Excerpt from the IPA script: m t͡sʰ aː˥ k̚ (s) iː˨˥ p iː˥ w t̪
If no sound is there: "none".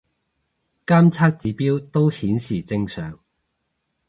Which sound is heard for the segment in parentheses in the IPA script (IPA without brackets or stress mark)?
t͡s